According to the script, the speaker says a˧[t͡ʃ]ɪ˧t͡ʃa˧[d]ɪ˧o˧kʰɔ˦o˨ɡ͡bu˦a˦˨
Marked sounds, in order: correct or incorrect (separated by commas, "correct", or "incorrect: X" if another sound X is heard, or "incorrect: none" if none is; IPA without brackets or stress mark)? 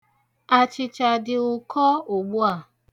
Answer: correct, correct